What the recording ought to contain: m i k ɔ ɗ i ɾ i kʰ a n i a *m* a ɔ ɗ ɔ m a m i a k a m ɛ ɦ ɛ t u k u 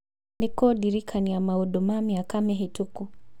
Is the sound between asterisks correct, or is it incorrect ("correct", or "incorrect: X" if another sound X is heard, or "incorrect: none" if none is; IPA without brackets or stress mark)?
correct